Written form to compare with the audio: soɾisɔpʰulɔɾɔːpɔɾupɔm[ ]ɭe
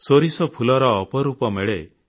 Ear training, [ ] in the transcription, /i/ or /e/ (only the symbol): e